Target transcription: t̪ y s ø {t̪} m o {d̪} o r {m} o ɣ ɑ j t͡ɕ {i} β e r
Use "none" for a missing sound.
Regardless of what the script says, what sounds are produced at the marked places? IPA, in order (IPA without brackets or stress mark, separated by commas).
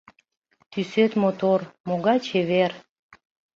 t̪, t̪, m, e